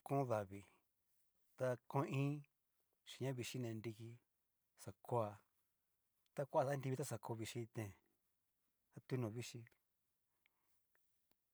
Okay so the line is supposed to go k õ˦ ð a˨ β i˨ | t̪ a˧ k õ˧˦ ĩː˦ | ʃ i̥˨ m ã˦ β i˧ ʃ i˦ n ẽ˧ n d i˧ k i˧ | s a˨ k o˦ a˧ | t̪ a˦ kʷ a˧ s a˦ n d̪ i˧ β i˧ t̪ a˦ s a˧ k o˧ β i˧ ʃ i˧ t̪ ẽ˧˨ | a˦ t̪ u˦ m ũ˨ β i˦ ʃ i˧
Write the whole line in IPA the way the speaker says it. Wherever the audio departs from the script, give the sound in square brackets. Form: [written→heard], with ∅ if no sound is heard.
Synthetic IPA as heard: k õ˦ ð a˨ β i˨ | t̪ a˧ k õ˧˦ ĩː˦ | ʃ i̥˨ [m→ɲ] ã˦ β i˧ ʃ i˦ n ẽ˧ n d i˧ k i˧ | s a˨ k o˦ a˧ | t̪ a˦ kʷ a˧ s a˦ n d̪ i˧ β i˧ t̪ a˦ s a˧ k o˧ β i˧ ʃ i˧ t̪ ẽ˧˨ | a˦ t̪ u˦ [m→n] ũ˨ β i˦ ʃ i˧

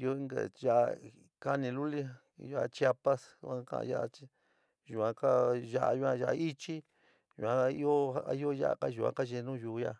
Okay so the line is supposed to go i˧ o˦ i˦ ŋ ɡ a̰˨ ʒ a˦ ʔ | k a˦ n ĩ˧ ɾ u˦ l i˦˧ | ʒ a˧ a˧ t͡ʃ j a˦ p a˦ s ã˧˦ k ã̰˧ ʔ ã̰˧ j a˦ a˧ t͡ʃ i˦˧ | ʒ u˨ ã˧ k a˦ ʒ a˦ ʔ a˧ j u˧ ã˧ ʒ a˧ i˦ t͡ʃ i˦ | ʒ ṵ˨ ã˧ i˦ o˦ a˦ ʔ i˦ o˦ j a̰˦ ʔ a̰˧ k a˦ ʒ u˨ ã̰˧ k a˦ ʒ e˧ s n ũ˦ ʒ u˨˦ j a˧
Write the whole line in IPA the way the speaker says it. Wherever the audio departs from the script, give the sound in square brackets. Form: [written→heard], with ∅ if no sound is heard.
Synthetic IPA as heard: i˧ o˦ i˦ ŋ ɡ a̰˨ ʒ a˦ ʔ | k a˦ n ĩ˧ [ɾ→l] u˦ l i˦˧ | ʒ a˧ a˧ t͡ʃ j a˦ p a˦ s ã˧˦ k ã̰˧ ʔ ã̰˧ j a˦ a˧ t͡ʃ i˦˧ | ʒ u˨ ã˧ k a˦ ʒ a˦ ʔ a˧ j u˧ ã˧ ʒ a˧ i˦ t͡ʃ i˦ | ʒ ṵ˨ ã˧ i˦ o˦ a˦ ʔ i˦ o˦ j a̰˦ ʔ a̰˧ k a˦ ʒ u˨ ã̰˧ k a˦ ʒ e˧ [s→∅] n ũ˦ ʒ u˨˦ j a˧

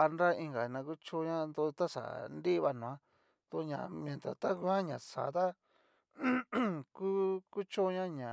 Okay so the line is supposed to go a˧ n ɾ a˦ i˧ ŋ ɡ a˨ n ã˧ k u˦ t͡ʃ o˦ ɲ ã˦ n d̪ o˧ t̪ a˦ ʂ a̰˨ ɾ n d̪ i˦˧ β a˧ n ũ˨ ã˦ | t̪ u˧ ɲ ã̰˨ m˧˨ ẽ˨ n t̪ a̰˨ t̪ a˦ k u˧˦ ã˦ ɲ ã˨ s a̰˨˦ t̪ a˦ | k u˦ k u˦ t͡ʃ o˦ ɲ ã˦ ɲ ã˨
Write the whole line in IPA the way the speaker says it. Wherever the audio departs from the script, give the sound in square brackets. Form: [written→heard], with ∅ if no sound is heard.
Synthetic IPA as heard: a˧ n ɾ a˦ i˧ ŋ ɡ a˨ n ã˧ k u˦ t͡ʃ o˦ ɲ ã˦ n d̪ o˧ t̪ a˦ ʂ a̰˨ [ɾ→∅] n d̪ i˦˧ β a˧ n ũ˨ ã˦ | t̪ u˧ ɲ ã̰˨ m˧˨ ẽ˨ n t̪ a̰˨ t̪ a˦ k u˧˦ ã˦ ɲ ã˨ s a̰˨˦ t̪ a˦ | k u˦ k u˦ t͡ʃ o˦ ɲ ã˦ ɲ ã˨

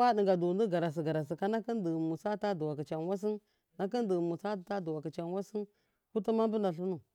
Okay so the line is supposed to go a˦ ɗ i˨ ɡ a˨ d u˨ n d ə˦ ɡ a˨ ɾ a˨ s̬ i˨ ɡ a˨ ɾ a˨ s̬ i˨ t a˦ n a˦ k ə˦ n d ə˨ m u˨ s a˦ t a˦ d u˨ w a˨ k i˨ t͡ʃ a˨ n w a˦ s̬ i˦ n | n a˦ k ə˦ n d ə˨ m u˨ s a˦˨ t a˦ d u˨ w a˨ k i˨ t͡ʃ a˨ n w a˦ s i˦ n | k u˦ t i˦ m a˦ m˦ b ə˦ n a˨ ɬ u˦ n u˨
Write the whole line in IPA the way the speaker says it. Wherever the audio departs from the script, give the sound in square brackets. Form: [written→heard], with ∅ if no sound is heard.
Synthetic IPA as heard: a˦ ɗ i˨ ɡ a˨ d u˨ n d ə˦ ɡ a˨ ɾ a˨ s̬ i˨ ɡ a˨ ɾ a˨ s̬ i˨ [t→k] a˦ n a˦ k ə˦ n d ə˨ m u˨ s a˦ t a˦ d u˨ w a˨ k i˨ t͡ʃ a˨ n w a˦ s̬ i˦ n | n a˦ k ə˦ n d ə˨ m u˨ s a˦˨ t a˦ d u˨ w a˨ k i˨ t͡ʃ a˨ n w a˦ s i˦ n | k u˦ t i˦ m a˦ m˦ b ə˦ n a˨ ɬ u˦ n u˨

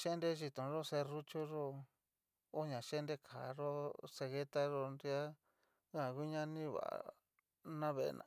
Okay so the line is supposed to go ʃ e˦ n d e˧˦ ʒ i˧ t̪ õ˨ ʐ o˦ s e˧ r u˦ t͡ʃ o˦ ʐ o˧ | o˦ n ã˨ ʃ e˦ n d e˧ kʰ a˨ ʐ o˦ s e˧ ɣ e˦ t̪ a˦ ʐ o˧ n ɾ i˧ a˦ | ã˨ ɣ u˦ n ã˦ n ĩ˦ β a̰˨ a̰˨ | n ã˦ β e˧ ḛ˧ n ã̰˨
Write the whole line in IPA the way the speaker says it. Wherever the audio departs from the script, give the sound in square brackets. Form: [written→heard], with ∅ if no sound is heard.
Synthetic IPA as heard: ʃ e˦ n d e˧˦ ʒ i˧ t̪ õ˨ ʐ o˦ s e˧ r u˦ t͡ʃ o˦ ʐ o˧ | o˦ [n→ɲ] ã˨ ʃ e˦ n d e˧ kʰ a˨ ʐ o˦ s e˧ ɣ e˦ t̪ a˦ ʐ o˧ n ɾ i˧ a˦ | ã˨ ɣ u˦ [n→ɲ] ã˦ n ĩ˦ β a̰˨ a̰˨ | n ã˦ β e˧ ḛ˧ n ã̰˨

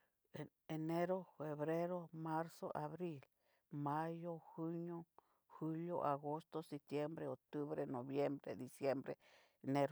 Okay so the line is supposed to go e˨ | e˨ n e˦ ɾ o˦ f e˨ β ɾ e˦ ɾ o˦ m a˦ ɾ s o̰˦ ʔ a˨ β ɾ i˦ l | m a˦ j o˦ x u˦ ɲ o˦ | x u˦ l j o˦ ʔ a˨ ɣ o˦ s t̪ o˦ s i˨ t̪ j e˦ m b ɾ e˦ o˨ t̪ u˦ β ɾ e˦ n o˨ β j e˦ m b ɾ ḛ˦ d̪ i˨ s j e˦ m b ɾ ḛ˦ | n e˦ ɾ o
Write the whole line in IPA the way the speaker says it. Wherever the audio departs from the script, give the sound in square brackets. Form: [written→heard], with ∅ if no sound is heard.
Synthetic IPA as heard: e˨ | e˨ n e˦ ɾ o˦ f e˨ β ɾ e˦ ɾ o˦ m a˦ ɾ s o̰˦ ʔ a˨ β ɾ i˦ l | m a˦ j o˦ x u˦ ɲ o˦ | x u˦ l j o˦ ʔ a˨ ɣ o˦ s t̪ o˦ s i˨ t̪ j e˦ m b ɾ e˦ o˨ t̪ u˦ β ɾ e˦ n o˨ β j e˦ m b ɾ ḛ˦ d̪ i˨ s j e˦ m b ɾ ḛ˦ | n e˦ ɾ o

